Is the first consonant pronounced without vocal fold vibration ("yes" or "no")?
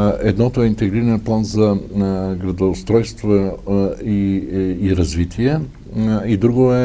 no